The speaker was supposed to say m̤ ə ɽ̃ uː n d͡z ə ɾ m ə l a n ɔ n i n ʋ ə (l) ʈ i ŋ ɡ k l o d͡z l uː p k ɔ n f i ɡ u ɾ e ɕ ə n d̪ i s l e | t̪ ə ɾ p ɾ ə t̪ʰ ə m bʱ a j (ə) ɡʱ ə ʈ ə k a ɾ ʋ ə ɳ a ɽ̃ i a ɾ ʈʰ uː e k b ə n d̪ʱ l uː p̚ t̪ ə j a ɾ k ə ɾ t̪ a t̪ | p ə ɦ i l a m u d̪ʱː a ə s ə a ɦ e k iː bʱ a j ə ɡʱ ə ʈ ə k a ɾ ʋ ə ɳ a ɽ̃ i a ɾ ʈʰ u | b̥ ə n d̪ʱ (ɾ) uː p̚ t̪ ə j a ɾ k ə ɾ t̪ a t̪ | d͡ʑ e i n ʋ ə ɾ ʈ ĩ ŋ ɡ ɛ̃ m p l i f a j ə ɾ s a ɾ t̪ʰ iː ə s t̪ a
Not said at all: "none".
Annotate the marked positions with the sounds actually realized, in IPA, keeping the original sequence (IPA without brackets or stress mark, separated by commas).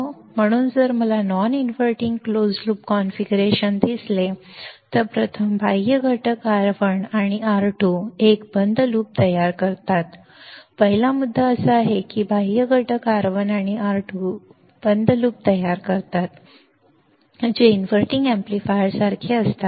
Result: ɾ, ə, l